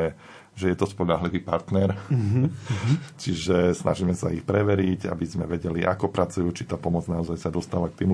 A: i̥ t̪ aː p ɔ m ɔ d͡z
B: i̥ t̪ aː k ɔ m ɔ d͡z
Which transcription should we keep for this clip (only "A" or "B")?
A